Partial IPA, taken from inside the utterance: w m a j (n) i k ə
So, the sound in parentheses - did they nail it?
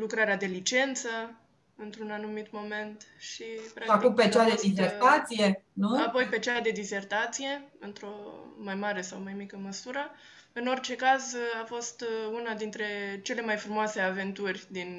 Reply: no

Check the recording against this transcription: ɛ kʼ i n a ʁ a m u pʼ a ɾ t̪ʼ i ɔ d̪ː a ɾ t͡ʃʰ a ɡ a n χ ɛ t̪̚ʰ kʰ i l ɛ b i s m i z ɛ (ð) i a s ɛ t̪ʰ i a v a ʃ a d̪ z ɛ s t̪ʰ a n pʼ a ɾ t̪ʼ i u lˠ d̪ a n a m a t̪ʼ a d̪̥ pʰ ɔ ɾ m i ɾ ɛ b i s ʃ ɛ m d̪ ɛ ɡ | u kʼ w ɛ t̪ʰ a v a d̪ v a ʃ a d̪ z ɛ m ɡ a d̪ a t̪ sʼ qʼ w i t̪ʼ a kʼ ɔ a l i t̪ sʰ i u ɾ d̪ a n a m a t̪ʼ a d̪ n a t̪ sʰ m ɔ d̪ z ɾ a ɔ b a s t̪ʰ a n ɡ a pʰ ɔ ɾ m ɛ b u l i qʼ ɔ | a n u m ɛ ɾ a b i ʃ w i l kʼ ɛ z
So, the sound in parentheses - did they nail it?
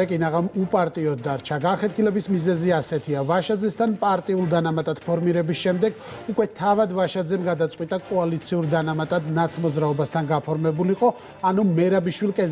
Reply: no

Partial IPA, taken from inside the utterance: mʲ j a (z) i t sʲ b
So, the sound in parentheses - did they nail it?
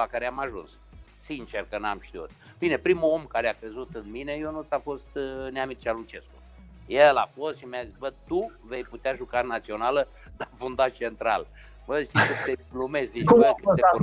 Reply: yes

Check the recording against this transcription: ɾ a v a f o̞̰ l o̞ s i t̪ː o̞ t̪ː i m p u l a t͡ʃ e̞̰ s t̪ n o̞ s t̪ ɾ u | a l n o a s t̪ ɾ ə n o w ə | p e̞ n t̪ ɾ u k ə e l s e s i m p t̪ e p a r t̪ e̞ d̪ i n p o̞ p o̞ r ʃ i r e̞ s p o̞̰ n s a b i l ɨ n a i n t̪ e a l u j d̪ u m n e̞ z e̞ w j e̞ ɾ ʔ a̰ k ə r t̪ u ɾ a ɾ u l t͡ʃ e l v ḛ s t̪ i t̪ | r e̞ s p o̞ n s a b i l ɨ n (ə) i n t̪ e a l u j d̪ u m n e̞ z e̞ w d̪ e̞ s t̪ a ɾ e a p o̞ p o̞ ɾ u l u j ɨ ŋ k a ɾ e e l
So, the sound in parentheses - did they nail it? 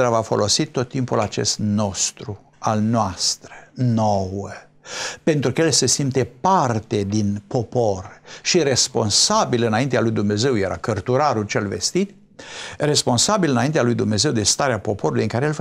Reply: no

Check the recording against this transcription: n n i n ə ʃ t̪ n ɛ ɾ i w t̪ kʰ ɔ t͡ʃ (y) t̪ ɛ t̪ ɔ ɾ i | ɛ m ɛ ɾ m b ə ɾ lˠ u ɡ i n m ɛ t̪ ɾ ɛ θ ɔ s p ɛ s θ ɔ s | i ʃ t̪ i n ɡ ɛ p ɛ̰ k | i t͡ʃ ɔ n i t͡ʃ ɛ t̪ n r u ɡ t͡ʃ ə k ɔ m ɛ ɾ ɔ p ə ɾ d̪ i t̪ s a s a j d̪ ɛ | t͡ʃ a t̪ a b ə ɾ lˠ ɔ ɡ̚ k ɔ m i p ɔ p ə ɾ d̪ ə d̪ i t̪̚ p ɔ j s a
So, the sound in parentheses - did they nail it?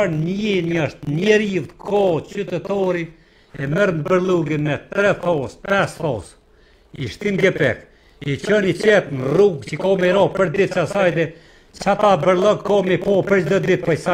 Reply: yes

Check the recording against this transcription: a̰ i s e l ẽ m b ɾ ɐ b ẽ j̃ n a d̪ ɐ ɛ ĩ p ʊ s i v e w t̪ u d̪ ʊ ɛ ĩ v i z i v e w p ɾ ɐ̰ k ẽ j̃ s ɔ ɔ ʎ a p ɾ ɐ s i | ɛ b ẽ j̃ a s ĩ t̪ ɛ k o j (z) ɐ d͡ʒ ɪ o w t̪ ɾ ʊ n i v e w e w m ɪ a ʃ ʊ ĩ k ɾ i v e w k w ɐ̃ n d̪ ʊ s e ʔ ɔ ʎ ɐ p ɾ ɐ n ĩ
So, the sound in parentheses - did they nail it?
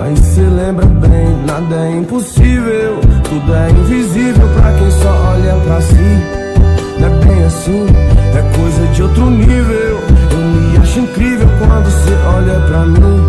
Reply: yes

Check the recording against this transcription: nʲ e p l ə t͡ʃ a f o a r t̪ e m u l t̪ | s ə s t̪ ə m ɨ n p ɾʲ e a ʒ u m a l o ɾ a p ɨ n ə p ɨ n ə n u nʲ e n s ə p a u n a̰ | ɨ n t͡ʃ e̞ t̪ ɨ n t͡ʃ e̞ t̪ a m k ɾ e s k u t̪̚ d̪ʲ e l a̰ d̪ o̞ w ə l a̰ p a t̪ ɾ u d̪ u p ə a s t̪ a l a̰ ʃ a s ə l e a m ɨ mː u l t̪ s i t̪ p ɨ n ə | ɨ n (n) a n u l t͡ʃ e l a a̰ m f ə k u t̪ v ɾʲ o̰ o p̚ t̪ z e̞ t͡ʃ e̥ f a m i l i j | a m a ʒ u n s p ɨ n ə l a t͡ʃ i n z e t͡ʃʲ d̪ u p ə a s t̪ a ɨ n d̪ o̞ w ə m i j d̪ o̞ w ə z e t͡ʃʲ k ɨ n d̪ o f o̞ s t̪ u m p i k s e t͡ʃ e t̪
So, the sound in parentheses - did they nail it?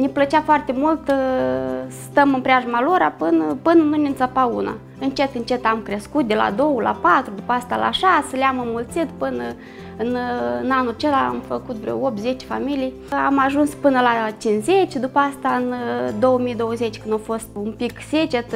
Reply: yes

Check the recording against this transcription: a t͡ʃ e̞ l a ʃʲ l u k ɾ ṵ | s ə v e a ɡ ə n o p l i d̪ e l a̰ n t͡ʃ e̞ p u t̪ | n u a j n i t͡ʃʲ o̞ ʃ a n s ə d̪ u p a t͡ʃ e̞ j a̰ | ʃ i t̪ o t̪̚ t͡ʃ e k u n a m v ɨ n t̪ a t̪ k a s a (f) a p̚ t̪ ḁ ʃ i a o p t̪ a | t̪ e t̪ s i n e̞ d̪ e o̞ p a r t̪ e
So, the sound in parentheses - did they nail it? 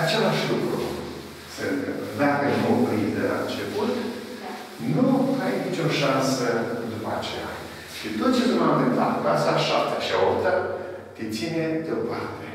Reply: no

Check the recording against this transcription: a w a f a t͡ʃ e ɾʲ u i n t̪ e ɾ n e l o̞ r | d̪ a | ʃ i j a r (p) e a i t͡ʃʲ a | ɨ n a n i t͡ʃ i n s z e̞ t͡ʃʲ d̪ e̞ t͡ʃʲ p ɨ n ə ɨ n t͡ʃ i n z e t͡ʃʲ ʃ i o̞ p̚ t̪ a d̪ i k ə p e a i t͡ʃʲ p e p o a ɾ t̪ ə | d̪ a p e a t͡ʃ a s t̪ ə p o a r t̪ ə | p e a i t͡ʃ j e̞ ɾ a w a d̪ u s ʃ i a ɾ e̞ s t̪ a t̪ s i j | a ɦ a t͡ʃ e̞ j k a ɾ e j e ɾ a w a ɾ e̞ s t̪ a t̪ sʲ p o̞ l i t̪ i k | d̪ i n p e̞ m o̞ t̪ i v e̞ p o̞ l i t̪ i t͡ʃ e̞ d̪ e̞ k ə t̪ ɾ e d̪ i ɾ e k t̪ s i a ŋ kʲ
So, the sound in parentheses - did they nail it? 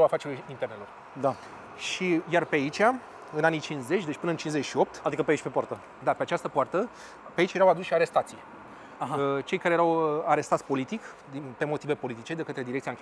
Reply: yes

